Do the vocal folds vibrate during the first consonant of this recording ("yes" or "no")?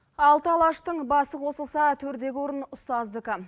yes